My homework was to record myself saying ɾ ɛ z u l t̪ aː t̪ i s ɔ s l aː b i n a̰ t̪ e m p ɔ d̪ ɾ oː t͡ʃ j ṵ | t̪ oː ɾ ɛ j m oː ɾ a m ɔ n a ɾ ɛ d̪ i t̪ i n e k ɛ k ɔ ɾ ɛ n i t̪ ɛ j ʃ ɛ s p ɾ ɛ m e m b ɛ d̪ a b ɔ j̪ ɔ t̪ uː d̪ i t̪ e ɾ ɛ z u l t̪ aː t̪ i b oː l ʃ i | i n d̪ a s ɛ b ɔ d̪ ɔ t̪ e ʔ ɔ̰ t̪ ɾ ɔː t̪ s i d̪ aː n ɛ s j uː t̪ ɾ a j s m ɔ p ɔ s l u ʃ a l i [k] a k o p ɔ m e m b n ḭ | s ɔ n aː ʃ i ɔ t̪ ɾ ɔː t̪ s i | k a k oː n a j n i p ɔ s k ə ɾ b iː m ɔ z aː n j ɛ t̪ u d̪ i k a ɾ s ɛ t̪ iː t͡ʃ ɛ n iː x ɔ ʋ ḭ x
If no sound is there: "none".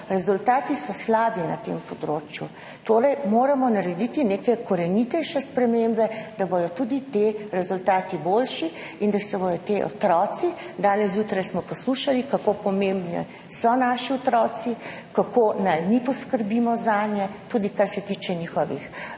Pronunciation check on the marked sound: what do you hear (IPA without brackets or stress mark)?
k